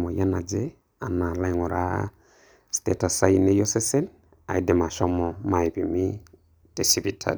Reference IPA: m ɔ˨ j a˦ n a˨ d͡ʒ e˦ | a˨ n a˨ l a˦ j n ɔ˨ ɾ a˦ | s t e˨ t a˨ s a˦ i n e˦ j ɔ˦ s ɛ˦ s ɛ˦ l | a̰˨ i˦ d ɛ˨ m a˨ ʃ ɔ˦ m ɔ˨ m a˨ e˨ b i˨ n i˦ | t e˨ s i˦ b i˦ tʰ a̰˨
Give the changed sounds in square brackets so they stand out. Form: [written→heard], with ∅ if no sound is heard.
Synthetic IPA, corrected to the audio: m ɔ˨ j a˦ n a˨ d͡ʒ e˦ | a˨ n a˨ l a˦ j [n→ŋ] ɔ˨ ɾ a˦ | s t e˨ t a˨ s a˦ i n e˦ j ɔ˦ s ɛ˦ s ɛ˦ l | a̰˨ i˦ d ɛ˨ m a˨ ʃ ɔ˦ m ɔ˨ m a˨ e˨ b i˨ [n→m] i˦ | t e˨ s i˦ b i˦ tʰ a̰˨